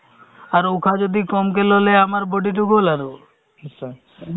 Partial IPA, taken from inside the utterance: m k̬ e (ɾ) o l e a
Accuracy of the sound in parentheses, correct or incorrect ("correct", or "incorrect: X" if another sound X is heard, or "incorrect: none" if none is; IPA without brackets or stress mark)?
incorrect: l